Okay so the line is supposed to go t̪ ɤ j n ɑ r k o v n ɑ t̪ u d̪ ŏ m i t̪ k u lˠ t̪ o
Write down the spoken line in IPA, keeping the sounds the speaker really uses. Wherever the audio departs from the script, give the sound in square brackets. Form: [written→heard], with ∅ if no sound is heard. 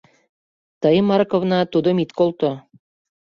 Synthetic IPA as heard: t̪ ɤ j [n→m] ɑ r k o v n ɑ t̪ u d̪ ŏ m i t̪ k [u→o] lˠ t̪ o